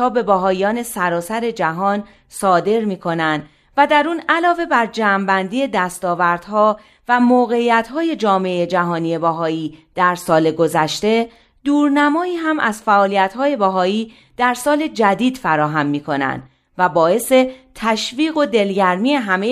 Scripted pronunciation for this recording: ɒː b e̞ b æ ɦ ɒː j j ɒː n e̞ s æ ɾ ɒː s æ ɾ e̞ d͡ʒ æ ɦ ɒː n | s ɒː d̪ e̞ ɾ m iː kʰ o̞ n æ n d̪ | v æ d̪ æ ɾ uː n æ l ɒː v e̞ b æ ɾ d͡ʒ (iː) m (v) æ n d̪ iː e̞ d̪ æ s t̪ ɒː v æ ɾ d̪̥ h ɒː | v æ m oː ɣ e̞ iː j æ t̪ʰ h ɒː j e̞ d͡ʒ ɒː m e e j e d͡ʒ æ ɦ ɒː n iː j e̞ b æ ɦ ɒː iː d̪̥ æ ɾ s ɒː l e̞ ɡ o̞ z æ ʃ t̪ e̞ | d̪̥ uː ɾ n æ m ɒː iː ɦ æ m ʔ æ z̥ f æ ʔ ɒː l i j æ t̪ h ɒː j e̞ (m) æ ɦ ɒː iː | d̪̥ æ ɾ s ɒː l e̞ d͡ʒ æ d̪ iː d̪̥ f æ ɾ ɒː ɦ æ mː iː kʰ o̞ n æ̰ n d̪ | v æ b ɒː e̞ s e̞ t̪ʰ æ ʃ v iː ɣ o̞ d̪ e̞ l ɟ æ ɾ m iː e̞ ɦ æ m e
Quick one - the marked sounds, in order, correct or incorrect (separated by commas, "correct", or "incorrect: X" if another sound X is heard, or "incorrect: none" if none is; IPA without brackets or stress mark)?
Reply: incorrect: æː, incorrect: b, incorrect: b